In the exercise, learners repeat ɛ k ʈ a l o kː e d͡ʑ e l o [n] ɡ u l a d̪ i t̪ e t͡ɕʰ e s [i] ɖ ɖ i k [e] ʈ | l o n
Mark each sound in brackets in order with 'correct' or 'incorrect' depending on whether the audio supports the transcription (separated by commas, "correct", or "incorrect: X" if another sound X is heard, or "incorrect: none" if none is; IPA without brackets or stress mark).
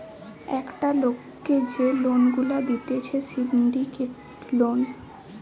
correct, correct, correct